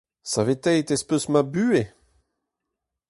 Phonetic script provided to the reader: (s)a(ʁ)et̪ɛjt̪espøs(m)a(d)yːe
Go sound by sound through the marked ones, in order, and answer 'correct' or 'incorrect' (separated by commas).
correct, incorrect, correct, incorrect